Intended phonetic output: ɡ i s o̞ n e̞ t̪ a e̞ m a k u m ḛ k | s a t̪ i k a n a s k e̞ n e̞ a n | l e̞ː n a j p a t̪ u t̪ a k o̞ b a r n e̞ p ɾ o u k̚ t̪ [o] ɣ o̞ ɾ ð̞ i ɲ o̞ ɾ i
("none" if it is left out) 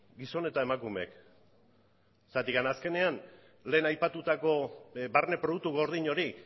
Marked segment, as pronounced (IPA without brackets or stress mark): u